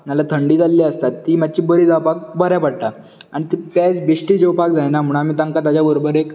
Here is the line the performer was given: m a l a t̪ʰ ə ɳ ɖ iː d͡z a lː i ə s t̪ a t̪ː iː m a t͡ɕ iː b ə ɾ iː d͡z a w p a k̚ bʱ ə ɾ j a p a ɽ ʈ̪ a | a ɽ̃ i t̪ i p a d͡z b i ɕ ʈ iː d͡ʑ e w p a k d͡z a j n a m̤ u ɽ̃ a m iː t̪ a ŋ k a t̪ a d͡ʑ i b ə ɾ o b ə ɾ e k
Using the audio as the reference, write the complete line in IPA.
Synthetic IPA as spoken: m a l a t̪ʰ ə ɳ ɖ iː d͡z a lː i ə s t̪ a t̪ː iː m a t͡ɕ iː b ə ɾ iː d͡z a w p a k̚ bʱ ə ɾ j a p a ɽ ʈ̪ a | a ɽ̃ i t̪ i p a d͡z b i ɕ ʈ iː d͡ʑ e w p a k d͡z a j n a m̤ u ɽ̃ a m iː t̪ a ŋ k a t̪ a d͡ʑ a b ə ɾ o b ə ɾ e k